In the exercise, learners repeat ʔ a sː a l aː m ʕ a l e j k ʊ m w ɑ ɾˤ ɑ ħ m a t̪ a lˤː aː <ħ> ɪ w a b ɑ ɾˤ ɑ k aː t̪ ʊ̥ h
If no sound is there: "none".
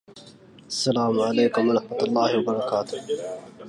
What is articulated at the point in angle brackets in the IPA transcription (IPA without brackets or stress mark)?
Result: h